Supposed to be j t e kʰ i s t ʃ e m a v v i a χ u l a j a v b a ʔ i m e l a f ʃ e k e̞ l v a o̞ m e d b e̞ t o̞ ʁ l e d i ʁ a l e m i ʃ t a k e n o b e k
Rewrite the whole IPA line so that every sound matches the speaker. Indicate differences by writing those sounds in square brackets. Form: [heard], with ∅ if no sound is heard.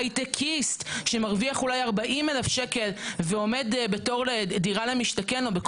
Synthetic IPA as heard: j t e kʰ i s t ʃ e m a [ʁ] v i a χ u l a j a [ʁ] b a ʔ i m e l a f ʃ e k e̞ l v [e] o̞ m e d b e̞ t o̞ ʁ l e d i ʁ a l e m i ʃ t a k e n o b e k